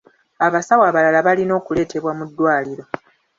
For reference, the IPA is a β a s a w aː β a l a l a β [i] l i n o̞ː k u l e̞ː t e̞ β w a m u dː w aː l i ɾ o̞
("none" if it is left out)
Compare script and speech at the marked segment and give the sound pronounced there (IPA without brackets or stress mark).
a